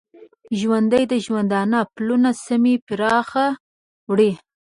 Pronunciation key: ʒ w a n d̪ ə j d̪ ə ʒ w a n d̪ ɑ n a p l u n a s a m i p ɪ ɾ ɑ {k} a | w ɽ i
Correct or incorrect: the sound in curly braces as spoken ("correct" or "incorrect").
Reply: incorrect